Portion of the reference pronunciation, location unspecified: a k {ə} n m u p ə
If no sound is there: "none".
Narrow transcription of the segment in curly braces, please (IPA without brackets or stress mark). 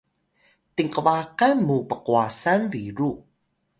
a